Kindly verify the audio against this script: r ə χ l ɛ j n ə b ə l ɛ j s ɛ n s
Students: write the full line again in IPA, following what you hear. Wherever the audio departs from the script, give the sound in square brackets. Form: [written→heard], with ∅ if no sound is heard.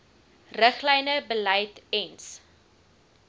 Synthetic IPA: r ə χ l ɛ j n ə b ə l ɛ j [s→t] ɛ n s